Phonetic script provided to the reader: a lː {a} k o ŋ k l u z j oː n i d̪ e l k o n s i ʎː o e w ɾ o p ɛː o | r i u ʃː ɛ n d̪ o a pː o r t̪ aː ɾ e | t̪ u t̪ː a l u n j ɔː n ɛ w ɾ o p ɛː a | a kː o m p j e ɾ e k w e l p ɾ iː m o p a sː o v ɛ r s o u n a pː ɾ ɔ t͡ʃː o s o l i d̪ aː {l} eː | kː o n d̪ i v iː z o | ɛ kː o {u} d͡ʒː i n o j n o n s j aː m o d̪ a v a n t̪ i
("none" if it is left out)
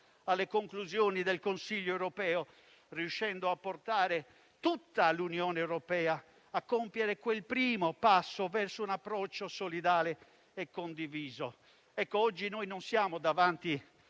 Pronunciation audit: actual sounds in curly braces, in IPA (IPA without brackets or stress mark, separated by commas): e, l, ɔ